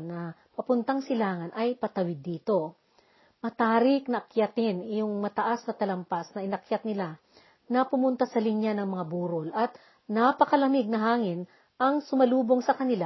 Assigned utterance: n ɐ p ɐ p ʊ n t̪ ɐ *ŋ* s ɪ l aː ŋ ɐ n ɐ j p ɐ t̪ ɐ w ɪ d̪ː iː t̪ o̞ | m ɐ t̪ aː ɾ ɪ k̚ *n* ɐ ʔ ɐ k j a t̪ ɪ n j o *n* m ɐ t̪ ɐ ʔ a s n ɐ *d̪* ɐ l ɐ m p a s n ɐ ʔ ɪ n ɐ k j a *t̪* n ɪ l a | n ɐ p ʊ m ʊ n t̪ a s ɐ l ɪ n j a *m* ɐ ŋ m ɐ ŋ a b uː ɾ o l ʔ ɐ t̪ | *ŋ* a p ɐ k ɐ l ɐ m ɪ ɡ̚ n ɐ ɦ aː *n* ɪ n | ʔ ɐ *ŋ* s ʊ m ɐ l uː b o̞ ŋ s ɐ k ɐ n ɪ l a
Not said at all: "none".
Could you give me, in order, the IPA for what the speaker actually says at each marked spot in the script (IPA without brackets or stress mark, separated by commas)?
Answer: ŋ, n, ŋ, t̪, t̪, n, n, ŋ, ŋ